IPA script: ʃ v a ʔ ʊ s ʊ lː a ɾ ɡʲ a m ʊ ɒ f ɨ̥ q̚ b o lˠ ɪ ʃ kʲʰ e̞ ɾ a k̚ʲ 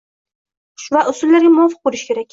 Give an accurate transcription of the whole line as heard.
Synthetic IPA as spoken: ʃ v a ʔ ʊ s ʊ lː a ɾ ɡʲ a m ʊ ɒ f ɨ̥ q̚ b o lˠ ɪ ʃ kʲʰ e̞ ɾ a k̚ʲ